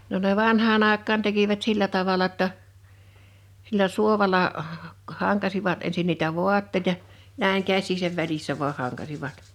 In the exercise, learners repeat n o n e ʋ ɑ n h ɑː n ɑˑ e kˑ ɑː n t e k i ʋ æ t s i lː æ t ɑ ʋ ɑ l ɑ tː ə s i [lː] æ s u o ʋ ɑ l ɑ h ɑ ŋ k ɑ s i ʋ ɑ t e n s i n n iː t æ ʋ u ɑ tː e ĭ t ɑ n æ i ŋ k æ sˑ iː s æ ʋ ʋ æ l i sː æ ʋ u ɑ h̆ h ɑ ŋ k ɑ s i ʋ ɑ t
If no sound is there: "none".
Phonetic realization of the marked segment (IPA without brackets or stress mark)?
lː